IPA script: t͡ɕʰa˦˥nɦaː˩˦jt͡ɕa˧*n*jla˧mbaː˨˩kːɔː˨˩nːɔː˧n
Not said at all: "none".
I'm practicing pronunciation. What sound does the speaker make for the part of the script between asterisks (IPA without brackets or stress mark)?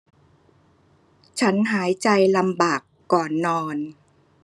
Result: none